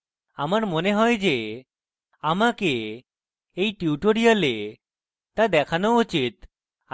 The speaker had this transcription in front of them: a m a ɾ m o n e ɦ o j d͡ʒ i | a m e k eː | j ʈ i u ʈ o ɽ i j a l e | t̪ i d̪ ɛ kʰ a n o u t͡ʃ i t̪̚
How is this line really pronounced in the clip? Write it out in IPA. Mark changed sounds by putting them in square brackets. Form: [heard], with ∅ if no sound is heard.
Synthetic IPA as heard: a m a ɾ m o n e ɦ [ɔ] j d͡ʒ [e] | a m [a] k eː | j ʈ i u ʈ o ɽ i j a l e | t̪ [a] d̪ ɛ kʰ a n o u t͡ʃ i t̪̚